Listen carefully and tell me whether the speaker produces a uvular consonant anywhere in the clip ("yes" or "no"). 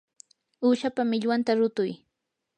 no